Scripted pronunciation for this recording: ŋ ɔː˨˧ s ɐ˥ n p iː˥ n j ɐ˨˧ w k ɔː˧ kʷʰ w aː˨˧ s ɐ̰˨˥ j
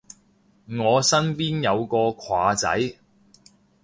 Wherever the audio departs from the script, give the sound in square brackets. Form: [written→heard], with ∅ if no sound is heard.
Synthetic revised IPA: ŋ ɔː˨˧ s ɐ˥ n p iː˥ n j ɐ˨˧ w k ɔː˧ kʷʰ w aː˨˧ [s→t͡s] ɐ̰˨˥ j